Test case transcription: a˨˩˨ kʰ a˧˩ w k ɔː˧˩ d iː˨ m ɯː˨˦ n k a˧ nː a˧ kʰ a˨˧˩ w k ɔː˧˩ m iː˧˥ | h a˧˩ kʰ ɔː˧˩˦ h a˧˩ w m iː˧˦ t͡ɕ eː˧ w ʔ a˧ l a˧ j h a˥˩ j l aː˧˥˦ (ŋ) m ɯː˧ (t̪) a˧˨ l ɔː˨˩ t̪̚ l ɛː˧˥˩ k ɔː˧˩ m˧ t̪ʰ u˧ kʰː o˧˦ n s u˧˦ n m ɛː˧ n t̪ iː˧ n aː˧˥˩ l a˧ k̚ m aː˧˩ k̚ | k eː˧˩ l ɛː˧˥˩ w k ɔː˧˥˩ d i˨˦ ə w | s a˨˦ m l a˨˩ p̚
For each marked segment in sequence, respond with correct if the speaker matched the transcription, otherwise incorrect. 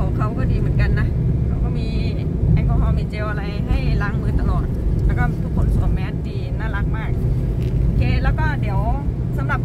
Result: correct, correct

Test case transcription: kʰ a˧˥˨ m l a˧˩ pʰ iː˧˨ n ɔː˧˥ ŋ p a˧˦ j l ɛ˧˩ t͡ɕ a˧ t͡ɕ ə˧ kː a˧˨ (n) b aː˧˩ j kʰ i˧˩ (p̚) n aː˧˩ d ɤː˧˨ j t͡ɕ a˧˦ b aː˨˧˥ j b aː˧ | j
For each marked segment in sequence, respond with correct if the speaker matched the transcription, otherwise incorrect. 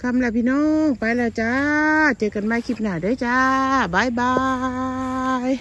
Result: correct, correct

